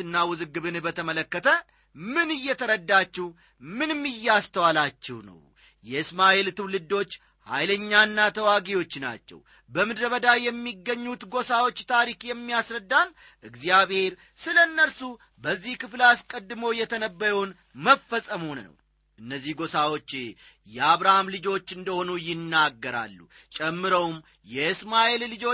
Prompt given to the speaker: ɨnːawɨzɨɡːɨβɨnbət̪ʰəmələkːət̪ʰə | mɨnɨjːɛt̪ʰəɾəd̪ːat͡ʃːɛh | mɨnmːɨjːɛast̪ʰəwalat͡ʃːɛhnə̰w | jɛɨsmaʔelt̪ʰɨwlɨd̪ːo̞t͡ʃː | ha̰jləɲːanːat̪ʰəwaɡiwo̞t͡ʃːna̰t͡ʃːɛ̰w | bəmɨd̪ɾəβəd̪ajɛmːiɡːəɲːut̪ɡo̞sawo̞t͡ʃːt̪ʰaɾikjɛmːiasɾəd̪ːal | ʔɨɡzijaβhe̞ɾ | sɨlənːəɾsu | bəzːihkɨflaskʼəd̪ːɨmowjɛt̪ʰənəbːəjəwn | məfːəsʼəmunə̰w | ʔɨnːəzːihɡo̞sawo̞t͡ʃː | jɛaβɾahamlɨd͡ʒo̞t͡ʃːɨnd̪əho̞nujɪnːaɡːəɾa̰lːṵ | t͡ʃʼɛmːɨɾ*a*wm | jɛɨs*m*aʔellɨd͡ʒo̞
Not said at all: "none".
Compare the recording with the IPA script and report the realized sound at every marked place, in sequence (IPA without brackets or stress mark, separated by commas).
ə, m